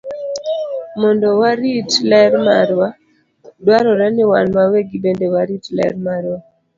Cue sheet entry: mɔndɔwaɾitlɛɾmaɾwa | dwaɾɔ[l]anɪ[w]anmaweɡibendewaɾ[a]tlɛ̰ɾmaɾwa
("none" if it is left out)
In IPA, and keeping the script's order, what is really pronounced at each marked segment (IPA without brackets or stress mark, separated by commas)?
ɾ, w, i